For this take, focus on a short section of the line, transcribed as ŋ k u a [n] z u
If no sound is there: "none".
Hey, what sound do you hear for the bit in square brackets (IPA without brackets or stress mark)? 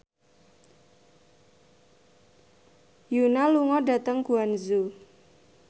n